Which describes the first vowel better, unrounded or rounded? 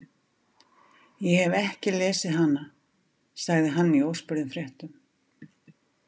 unrounded